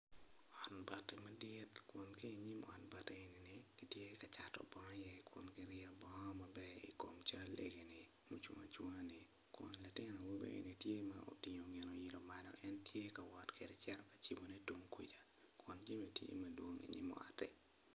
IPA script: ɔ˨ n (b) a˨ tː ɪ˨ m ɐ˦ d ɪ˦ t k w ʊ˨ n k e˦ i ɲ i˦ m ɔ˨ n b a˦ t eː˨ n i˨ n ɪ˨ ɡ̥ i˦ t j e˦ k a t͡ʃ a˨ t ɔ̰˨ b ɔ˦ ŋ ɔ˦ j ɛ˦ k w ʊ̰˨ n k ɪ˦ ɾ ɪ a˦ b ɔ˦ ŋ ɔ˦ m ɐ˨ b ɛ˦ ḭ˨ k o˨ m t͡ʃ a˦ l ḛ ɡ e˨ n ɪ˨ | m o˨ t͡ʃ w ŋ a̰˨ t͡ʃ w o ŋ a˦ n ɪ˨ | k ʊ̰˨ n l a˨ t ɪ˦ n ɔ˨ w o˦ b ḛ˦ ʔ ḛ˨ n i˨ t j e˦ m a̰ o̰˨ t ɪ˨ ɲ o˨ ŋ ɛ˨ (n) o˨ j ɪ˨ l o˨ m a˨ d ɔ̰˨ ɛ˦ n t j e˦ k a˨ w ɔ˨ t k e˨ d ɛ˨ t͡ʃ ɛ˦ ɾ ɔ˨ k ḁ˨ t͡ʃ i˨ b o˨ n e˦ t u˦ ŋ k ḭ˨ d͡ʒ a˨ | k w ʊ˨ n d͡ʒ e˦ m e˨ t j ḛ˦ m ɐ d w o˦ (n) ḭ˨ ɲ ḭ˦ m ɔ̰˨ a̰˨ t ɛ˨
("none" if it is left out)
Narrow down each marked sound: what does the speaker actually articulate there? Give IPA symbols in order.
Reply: b, n, ŋ

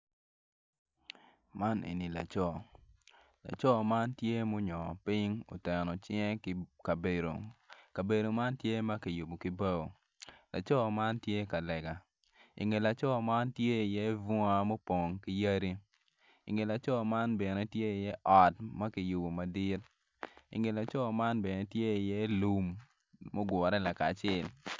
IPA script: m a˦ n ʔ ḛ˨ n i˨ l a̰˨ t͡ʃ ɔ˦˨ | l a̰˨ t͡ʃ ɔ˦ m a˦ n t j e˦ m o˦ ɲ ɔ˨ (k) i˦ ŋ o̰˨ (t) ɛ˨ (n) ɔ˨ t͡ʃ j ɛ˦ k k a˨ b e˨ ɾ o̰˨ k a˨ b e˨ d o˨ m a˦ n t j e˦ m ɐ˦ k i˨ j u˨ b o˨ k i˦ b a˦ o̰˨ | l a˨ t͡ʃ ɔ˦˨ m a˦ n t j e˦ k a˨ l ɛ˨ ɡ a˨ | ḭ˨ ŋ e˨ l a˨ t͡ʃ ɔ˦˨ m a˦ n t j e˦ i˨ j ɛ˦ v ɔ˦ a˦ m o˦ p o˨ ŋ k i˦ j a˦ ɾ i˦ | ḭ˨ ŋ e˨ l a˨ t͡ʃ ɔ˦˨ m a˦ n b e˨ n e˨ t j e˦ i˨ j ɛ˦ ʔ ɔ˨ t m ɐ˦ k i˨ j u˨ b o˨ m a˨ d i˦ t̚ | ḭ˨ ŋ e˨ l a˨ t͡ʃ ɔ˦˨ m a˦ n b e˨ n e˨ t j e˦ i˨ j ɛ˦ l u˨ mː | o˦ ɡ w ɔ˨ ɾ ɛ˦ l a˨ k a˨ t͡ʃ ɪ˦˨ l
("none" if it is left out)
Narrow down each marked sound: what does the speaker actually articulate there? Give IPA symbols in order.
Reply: p, t, n

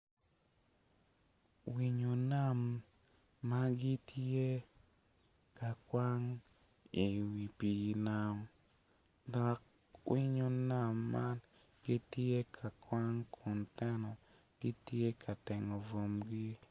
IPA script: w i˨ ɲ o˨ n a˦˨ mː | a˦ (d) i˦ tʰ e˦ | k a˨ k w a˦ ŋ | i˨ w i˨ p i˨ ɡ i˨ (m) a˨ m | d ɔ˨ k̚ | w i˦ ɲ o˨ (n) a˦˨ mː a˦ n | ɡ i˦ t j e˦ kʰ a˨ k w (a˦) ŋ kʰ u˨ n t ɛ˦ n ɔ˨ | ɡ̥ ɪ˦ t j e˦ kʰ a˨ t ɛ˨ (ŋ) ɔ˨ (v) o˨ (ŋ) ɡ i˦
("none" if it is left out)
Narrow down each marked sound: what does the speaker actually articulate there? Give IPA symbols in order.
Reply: ɡ, n, n, a˦, ŋ, v, m

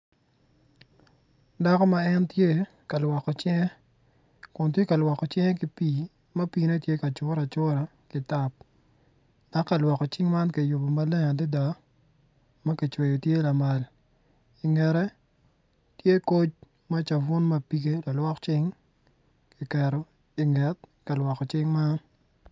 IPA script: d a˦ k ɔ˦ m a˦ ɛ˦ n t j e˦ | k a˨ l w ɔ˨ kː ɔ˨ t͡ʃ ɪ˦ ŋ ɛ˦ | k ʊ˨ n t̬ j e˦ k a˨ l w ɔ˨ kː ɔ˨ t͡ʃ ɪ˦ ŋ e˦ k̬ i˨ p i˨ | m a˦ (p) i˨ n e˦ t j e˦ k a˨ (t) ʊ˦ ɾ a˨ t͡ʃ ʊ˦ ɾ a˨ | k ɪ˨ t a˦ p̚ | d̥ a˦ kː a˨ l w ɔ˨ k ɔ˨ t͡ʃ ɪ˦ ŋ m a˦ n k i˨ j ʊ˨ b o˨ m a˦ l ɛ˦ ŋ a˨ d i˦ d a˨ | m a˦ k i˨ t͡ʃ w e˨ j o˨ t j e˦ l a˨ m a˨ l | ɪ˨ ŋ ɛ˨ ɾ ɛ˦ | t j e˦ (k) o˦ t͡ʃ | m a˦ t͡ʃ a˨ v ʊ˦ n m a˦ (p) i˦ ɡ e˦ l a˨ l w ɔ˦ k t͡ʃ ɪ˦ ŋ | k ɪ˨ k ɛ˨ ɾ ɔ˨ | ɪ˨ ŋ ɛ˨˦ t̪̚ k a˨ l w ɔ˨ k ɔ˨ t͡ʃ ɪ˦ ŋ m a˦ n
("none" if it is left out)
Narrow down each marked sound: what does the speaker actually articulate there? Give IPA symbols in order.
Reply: p, t͡ʃ, k, p

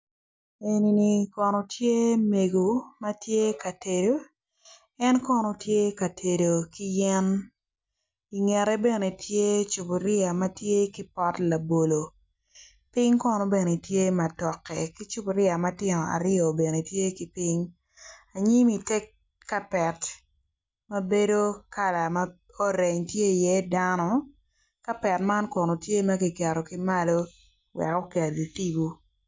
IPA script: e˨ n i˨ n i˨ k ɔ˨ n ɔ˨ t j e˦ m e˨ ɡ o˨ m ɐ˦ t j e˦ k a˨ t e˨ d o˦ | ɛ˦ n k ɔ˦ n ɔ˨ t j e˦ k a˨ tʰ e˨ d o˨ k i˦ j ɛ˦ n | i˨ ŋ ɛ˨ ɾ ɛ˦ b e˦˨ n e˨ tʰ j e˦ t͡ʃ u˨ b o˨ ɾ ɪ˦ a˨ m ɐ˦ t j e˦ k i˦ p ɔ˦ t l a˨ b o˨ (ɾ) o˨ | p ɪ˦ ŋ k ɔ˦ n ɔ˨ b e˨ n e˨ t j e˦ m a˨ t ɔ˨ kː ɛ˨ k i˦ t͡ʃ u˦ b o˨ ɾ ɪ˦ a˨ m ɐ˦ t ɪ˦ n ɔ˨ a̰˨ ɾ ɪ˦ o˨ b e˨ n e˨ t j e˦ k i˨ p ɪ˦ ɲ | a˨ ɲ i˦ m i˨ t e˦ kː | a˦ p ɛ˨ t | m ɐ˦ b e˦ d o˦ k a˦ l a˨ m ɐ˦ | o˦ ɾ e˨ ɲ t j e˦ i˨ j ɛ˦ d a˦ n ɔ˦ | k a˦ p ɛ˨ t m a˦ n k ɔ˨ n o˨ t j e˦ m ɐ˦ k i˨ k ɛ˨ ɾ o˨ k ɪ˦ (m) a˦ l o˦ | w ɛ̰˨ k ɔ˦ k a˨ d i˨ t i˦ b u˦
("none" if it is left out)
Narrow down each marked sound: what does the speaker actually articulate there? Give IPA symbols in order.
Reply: l, m

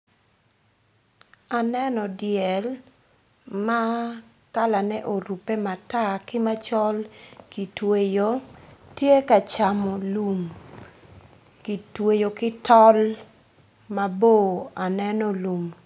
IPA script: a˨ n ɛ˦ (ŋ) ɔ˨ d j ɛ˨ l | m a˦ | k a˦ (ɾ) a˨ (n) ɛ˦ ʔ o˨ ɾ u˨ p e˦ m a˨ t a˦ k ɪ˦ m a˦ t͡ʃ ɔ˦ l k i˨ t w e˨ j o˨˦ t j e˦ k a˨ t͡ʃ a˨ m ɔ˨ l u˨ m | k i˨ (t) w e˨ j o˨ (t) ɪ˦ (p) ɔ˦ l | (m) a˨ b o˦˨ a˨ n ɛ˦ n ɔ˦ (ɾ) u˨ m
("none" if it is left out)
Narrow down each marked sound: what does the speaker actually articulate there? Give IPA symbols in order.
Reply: n, l, n, t, k, t, m, l

